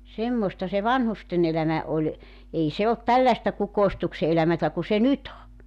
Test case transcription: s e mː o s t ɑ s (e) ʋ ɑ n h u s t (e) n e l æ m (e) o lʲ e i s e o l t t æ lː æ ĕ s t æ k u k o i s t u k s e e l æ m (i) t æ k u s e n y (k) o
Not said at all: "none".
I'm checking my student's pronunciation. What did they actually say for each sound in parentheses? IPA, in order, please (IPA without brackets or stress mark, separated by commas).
e, e, æ, æ, t